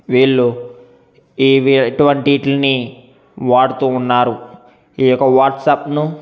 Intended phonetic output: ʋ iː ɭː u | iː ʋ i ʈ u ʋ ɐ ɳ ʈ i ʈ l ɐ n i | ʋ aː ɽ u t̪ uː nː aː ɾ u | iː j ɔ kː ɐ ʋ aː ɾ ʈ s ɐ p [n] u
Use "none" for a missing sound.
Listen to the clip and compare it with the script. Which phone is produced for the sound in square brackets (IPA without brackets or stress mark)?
n